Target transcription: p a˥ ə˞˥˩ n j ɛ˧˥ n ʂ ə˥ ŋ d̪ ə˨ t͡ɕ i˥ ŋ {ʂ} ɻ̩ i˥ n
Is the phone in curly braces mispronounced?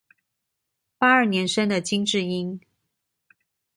yes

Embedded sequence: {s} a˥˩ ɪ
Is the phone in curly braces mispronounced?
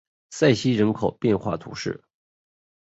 no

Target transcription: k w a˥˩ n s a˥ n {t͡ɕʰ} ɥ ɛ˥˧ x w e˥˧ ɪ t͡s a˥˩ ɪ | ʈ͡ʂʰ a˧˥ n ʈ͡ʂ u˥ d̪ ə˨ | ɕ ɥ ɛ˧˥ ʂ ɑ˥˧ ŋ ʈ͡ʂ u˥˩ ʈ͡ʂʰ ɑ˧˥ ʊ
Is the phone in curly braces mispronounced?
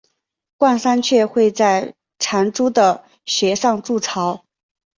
no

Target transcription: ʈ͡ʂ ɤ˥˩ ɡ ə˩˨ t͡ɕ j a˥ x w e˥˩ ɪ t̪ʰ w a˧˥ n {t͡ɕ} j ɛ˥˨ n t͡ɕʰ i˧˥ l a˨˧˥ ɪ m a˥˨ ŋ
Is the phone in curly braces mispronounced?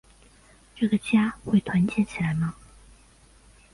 no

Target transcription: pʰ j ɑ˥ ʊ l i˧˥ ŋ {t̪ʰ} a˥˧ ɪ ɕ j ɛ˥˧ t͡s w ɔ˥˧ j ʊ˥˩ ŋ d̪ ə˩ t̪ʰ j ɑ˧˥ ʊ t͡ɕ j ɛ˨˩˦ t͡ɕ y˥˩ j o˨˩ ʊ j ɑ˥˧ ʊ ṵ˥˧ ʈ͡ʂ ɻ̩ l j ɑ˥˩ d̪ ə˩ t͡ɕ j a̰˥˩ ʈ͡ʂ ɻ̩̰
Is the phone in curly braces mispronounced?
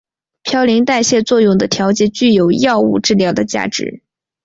yes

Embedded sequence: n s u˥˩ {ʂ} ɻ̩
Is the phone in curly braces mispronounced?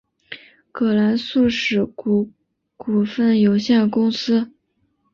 no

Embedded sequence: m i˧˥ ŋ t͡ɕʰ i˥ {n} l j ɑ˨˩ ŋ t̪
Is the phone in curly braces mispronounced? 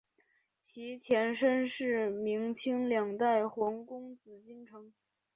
yes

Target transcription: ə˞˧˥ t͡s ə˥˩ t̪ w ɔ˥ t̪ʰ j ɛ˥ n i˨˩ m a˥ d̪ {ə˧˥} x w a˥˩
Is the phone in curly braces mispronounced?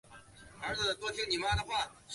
yes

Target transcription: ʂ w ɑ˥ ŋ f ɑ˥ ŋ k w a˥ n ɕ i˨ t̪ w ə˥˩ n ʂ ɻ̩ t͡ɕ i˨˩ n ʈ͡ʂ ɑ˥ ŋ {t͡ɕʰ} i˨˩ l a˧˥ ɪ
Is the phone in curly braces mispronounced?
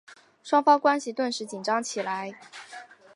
no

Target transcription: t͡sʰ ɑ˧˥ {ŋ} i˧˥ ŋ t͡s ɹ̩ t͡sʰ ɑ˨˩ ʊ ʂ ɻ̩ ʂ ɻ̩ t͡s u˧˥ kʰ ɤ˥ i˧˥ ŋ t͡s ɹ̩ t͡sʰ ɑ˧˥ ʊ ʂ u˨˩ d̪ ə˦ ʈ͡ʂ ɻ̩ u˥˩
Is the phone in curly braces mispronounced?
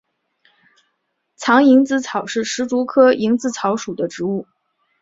no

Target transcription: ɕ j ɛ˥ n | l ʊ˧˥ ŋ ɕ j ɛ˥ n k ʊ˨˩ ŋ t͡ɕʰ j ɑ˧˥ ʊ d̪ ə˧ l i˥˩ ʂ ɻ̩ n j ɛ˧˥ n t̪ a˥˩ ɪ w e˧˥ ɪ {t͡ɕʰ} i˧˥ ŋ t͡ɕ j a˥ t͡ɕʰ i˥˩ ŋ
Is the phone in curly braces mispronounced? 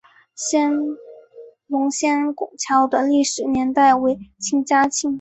no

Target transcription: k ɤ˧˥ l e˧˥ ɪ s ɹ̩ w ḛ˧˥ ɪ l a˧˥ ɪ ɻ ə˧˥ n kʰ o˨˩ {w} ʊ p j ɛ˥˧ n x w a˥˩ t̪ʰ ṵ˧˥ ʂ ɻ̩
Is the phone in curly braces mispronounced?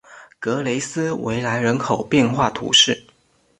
yes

